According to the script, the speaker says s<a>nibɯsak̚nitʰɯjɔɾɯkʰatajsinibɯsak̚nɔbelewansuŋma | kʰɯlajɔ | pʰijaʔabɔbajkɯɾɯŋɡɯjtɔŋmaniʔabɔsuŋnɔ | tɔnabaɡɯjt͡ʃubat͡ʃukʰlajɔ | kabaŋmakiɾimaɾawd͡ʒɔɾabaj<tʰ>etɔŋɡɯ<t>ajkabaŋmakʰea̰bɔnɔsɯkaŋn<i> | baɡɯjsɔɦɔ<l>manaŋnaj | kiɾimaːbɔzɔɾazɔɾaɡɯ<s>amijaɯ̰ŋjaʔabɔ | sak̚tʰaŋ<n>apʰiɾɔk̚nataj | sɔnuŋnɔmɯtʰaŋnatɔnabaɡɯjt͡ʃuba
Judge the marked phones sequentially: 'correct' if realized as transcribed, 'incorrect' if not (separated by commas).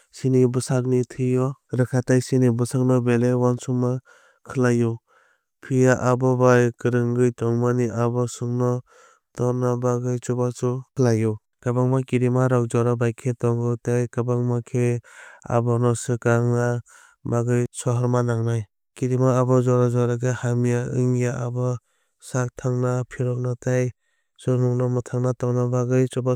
incorrect, incorrect, correct, incorrect, incorrect, incorrect, correct